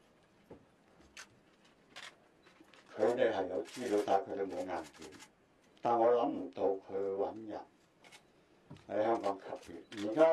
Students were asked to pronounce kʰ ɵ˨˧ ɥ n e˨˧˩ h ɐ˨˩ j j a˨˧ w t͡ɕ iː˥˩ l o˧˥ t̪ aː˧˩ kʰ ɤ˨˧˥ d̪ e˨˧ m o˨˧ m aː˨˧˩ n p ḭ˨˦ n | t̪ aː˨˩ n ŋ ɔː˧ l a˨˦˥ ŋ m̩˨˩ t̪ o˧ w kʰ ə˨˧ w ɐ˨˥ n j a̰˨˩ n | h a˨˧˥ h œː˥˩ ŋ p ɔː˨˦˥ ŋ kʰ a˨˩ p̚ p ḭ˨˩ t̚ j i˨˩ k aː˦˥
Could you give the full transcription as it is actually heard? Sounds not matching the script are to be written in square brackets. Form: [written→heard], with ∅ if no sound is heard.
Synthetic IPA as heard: kʰ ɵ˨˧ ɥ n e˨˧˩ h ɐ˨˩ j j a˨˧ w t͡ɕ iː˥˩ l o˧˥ t̪ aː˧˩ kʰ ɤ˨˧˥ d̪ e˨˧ m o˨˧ [m→ŋ] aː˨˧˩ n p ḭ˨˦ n | t̪ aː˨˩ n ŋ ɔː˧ l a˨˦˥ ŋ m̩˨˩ t̪ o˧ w kʰ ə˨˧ w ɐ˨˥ n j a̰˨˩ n | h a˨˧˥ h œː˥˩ ŋ [p→k] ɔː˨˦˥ ŋ kʰ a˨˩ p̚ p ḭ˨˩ t̚ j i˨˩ k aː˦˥